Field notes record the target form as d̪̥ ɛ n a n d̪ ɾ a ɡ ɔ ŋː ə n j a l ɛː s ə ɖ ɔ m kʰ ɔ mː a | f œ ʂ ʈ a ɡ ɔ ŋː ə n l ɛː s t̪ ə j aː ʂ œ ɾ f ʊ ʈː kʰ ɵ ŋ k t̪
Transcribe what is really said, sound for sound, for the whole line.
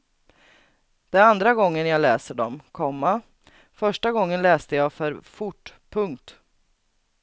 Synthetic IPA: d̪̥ ɛ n a n d̪ ɾ a ɡ ɔ ŋː ə n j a l ɛː s ə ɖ ɔ m kʰ ɔ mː a | f œ ʂ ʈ a ɡ ɔ ŋː ə n l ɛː s t̪ ə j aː f œ ɾ f ʊ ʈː pʰ ɵ ŋ k t̪